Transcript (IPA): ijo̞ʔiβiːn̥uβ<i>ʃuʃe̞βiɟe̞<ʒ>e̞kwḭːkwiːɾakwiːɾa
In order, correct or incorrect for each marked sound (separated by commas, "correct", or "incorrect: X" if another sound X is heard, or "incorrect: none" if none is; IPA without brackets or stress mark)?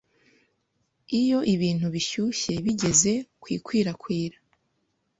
correct, incorrect: z